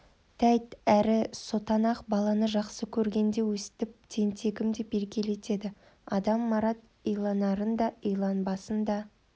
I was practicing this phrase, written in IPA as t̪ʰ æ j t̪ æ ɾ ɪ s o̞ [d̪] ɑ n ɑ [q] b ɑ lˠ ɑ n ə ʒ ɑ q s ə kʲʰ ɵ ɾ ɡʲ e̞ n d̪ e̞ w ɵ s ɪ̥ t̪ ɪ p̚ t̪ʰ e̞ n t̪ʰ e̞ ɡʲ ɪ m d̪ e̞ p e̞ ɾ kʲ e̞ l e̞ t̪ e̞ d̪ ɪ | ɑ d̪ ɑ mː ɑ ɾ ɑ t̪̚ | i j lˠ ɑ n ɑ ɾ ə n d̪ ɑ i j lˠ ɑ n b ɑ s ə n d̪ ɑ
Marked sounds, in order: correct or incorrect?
incorrect: t̪, correct

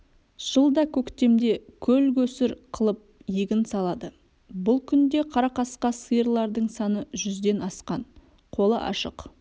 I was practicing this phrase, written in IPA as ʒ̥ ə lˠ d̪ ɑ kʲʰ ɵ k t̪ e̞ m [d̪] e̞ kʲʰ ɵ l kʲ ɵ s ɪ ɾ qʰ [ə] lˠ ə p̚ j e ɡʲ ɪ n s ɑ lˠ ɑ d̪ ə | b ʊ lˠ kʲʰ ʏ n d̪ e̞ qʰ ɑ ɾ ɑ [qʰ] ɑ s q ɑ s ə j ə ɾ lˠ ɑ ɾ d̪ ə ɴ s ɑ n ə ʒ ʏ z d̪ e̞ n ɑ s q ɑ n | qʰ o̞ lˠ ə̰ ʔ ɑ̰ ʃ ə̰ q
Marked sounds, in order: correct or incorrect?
correct, correct, incorrect: q

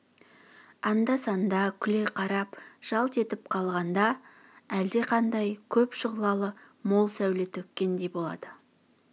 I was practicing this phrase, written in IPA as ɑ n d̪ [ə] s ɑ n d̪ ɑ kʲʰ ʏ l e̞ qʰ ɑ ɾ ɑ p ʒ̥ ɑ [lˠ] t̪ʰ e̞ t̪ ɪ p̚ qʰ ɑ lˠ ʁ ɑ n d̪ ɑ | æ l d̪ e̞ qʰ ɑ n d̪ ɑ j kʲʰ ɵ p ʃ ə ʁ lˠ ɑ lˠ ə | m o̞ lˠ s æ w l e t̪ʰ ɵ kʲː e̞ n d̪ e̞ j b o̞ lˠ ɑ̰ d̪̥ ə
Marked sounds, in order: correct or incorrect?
incorrect: ɑ, correct

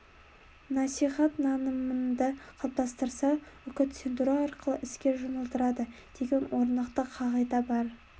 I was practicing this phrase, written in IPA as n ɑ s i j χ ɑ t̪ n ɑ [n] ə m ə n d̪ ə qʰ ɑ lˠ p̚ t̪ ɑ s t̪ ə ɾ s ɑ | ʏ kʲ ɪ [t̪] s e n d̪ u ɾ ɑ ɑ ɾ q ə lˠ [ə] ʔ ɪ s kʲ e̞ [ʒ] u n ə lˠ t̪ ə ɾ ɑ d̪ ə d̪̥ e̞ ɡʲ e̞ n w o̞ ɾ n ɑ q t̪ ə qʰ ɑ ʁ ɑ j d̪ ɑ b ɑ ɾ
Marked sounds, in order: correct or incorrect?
correct, correct, correct, correct

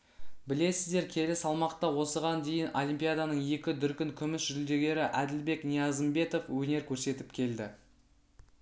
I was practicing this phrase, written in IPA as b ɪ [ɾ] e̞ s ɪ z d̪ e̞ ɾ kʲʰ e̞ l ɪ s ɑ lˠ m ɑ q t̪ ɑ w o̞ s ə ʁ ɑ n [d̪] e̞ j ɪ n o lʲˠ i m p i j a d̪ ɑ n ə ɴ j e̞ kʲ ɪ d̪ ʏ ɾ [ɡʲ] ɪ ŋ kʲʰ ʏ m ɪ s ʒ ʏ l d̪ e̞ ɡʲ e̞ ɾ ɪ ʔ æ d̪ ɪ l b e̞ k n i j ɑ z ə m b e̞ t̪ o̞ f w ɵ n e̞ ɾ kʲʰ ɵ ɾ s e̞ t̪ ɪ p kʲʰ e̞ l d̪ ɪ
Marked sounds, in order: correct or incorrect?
incorrect: l, correct, incorrect: kʲ

